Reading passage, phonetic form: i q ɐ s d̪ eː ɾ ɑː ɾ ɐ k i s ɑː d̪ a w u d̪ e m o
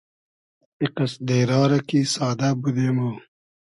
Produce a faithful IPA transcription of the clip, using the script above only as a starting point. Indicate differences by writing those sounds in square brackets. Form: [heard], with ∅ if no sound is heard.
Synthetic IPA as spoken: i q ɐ s d̪ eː ɾ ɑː ɾ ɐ k i s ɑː d̪ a [b] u d̪ e m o